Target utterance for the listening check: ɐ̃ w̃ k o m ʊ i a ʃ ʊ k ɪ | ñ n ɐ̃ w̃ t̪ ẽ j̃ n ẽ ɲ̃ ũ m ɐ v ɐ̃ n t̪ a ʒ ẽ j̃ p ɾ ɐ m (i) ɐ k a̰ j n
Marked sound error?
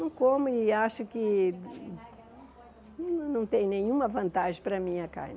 yes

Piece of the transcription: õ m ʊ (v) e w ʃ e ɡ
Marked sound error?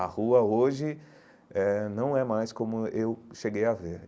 yes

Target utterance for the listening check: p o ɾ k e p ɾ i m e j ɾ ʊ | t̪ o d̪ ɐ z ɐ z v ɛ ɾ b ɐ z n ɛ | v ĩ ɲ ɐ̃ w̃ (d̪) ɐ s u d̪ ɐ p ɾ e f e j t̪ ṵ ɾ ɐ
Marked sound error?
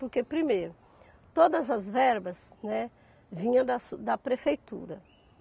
no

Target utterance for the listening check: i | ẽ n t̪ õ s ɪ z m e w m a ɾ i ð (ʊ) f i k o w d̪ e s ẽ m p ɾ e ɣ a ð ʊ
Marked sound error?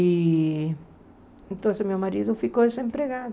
no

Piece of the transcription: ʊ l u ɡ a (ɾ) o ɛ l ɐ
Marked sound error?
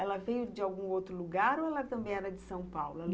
no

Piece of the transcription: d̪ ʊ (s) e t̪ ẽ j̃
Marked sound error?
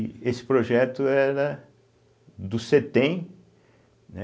no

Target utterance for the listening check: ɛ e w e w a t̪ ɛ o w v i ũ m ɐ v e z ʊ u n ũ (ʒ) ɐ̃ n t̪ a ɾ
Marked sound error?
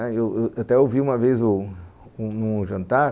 no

